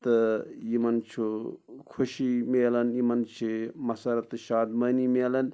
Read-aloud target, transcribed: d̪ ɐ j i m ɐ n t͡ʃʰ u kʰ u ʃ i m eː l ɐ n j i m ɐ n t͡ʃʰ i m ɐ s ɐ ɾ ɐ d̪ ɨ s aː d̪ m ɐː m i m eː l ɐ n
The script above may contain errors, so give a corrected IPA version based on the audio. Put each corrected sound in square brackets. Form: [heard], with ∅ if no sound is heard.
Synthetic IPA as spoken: [t̪] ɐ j i m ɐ n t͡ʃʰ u kʰ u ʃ i m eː l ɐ n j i m ɐ n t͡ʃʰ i m ɐ s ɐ ɾ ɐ [t̪] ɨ [ʃ] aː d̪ m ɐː [n] i m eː l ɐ n